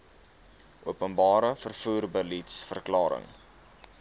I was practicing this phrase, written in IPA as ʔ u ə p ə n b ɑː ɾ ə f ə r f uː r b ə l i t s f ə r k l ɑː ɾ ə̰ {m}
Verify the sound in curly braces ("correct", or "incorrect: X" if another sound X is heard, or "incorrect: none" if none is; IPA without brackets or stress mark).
incorrect: ŋ